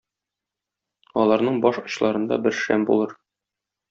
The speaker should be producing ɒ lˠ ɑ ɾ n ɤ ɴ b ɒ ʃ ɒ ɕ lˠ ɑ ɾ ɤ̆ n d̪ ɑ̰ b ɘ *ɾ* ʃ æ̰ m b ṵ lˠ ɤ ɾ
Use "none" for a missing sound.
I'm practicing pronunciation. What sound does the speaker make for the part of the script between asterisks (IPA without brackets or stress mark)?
ɾ